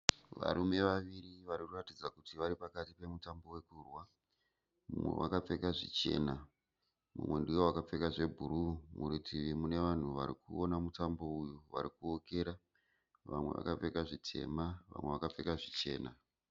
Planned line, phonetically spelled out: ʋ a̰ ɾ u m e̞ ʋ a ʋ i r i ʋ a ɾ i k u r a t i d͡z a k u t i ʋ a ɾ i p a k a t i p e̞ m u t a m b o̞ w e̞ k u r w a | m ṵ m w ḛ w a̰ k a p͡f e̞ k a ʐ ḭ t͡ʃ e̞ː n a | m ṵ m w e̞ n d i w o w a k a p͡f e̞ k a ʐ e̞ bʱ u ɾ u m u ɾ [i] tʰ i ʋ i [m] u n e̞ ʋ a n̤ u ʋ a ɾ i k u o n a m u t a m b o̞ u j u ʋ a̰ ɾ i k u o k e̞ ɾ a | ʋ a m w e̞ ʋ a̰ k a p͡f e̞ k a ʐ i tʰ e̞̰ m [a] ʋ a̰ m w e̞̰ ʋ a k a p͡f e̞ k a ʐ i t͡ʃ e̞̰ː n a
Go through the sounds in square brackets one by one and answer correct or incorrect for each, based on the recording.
correct, correct, correct

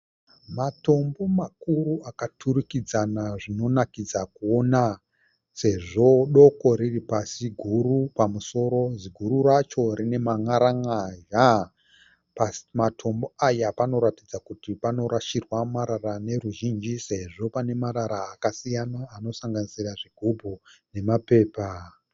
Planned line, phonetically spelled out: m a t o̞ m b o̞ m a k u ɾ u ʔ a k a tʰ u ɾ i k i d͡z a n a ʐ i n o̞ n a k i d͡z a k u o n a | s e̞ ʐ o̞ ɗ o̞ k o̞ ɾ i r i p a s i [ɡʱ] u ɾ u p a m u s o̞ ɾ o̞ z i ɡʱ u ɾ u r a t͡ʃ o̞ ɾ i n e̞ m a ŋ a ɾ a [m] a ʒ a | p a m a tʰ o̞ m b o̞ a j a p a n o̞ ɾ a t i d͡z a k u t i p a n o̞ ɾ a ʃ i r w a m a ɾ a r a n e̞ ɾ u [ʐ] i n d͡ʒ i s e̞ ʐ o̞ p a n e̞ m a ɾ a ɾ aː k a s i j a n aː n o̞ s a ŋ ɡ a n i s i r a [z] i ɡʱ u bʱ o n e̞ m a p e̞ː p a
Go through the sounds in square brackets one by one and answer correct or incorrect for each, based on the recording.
correct, incorrect: ŋ, incorrect: ʒ, incorrect: ʐ

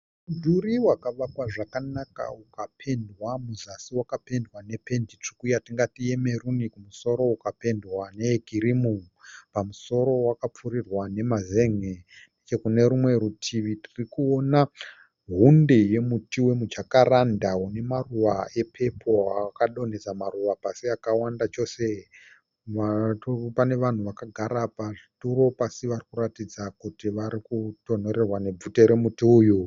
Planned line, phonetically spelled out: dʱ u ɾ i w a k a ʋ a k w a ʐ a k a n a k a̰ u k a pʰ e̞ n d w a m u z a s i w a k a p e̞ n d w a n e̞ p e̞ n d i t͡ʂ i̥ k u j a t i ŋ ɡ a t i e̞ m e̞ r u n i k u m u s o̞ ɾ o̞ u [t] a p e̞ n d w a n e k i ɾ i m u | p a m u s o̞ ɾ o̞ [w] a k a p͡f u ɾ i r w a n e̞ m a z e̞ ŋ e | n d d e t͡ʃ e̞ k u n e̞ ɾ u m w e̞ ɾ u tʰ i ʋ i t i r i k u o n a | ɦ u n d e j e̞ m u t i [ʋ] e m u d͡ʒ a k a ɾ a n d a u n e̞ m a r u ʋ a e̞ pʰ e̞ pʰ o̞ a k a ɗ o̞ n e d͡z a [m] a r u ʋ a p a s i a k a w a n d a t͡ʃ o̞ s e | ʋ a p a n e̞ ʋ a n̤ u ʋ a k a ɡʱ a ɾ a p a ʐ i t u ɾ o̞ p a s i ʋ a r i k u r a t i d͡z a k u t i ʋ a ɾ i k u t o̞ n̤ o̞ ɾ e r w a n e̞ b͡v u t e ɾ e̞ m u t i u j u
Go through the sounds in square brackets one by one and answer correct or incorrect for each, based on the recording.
incorrect: k, correct, incorrect: w, correct

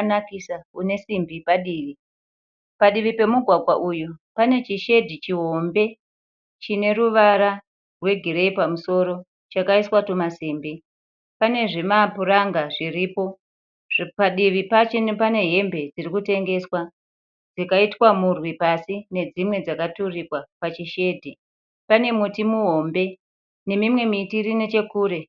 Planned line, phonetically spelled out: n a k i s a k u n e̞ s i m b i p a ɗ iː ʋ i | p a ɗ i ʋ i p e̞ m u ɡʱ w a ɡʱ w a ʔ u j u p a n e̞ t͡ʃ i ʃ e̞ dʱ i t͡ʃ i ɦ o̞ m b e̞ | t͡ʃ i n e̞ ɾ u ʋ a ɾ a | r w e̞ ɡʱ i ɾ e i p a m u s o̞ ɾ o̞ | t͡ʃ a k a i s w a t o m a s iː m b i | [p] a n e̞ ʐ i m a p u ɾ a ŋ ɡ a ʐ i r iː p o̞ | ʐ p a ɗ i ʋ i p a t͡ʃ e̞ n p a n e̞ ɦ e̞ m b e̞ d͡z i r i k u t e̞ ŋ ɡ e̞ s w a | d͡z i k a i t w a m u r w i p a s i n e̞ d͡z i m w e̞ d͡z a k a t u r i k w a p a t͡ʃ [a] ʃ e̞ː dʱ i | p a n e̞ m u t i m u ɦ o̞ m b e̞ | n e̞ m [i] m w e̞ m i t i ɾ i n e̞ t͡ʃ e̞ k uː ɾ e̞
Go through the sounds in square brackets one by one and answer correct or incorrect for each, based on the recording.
correct, incorrect: i, correct

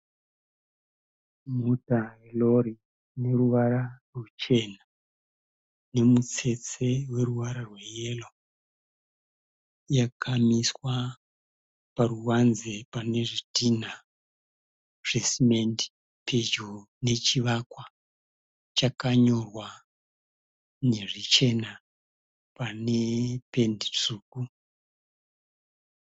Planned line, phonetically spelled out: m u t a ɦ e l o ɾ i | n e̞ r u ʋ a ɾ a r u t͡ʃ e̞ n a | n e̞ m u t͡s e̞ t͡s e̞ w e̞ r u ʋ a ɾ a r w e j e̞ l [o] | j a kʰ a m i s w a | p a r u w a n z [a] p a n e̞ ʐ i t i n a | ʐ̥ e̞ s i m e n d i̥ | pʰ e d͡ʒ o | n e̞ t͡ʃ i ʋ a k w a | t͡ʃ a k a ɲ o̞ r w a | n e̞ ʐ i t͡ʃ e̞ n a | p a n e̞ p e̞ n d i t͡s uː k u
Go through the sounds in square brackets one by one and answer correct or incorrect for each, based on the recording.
correct, incorrect: e

